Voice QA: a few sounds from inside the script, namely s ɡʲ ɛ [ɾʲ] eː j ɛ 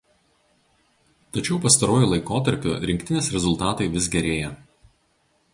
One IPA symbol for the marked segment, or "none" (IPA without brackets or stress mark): ɾʲ